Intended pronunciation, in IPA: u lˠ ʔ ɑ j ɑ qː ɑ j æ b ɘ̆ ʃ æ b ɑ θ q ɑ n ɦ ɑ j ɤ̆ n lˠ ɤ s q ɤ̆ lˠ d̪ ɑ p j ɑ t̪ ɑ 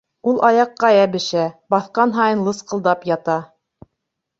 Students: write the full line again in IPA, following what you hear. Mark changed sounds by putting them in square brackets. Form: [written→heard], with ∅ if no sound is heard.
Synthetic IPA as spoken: u lˠ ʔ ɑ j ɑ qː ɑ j æ b ɘ̆ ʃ æ b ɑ θ q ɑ n ɦ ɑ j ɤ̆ n lˠ ɤ s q ɤ̆ lˠ d̪ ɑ p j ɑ t̪ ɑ